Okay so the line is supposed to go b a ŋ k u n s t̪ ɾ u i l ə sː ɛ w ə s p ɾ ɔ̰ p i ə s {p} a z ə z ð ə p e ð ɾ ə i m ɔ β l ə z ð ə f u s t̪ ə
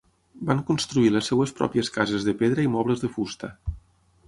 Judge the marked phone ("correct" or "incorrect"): incorrect